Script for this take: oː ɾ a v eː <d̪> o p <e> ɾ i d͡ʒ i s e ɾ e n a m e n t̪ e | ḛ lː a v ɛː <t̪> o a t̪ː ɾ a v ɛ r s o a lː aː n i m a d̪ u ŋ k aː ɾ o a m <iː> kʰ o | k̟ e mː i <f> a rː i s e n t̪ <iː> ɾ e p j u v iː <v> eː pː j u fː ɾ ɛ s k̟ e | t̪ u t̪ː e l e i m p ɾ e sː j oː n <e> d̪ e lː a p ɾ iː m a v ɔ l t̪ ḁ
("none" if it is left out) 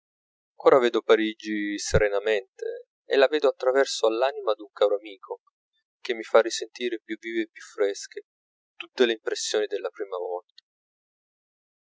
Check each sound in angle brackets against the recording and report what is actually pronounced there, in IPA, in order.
d̪, a, d̪, iː, f, iː, v, i

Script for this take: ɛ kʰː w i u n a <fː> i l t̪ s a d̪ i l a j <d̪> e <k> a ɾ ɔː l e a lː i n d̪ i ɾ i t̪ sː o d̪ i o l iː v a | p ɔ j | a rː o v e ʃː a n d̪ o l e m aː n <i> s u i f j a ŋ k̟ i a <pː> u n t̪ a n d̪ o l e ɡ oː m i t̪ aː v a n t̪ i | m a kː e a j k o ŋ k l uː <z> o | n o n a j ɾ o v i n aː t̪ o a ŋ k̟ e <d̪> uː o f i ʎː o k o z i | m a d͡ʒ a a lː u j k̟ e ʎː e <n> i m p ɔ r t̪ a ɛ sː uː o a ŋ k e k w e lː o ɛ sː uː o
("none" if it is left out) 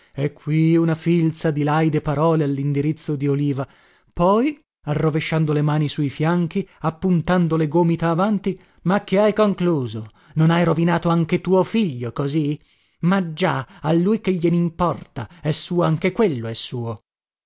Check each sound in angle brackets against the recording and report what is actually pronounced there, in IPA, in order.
f, d̪, p, i, pː, z, t̪, n

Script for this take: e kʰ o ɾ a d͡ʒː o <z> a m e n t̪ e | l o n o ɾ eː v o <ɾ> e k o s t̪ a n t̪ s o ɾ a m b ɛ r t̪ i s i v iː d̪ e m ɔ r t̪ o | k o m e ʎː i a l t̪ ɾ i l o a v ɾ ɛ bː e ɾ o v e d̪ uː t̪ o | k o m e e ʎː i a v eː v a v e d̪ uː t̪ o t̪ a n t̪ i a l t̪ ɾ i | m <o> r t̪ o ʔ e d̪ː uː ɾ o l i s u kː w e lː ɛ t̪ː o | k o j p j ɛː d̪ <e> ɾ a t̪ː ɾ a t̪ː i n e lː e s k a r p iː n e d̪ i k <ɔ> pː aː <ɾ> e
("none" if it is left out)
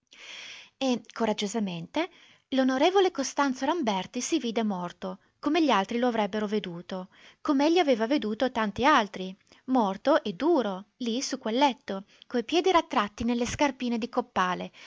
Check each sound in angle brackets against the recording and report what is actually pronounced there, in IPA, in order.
z, l, ɔ, i, o, l

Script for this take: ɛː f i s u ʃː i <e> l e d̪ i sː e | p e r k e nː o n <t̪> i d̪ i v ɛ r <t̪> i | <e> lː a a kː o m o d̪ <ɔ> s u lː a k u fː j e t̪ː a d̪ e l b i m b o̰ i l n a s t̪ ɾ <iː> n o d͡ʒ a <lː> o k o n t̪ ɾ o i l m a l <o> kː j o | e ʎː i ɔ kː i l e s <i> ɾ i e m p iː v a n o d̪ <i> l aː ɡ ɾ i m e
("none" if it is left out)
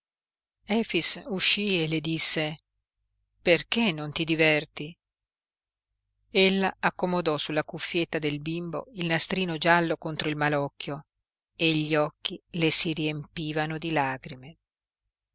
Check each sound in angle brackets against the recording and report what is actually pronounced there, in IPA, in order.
e, t̪, t̪, e, ɔ, iː, lː, ɔ, i, i

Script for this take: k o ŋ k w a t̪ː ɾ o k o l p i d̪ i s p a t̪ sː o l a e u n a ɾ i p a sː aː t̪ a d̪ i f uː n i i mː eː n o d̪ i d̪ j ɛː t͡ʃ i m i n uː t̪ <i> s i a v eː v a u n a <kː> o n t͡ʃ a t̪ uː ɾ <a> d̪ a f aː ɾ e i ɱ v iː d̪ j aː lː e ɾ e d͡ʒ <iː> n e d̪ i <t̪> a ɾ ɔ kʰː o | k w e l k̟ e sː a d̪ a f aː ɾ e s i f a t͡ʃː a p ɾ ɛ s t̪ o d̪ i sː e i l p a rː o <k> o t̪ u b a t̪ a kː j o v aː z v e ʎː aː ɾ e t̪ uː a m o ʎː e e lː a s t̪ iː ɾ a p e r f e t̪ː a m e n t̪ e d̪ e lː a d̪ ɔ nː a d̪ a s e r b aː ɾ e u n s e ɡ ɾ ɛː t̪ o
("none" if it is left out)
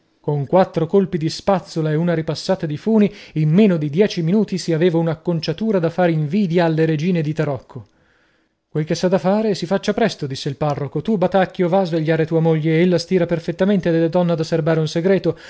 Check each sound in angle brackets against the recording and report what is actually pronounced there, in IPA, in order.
i, kː, a, iː, t̪, k

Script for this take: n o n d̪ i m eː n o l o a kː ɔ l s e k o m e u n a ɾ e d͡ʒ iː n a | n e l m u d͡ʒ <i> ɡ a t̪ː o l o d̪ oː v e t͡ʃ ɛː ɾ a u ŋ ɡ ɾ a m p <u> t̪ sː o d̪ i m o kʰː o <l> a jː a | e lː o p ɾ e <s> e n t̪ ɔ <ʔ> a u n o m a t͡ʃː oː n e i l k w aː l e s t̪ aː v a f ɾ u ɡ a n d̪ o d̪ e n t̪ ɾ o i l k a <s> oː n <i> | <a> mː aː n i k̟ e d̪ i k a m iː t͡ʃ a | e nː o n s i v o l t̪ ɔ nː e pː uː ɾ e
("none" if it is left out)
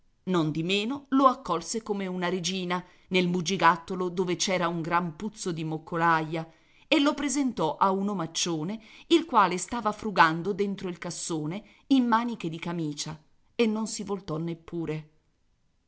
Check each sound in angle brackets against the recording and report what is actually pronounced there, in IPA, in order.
i, u, l, z, ʔ, sː, e, i

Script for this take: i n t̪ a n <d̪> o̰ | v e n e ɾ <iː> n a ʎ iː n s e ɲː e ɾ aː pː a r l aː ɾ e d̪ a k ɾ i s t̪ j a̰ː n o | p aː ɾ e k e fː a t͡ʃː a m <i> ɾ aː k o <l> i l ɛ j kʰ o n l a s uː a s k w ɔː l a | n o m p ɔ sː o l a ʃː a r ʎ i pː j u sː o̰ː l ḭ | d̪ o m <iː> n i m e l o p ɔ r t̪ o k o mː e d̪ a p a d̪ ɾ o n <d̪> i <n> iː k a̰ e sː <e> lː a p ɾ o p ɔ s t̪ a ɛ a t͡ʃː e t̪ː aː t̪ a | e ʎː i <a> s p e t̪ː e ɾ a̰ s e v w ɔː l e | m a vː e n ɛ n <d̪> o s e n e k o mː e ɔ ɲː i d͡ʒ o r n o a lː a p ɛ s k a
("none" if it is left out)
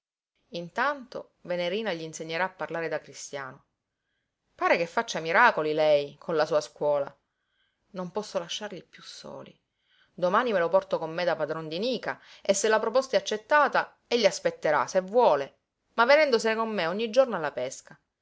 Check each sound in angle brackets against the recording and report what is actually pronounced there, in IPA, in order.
t̪, iː, i, l, aː, d̪, n, e, a, d̪

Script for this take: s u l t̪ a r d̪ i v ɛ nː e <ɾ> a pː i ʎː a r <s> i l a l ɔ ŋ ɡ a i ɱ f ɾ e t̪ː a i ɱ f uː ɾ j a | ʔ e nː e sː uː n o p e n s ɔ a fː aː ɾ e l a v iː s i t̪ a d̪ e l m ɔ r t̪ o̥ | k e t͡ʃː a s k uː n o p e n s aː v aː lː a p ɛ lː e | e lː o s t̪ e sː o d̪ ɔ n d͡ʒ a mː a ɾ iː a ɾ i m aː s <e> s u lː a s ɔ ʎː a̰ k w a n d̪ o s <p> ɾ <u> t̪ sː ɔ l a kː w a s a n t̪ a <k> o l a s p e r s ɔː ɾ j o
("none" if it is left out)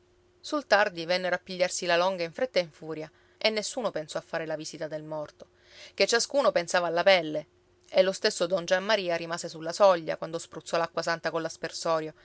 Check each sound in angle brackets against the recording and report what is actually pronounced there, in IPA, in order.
ɾ, s, e, p, u, k

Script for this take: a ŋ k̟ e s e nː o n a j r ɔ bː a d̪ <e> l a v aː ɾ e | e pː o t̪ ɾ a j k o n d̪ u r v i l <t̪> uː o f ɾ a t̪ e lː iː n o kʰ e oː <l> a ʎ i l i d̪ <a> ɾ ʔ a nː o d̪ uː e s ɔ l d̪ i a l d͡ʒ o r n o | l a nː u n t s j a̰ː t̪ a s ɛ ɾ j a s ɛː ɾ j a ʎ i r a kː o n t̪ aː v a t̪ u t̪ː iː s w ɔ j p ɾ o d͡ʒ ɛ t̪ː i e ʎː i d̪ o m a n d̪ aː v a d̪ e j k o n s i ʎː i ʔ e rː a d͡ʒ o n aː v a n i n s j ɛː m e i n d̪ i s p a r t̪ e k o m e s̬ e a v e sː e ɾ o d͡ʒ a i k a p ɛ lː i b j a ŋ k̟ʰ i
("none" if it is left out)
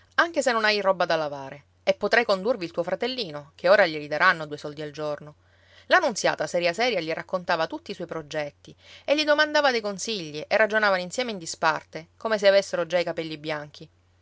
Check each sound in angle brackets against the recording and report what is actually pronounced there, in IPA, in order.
a, t̪, ɾ, a

